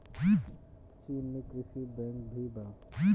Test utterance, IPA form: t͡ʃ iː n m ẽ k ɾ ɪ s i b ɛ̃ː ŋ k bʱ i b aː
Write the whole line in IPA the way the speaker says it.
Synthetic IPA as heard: t͡ʃ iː n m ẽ k ɾ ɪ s i b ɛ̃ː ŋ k bʱ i b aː